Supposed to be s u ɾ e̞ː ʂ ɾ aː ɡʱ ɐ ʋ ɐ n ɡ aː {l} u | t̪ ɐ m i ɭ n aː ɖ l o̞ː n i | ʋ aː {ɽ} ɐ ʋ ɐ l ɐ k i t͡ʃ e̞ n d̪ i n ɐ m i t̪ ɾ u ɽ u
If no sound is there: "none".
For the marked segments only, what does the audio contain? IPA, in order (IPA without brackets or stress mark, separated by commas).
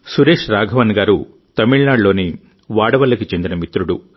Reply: ɾ, ɽ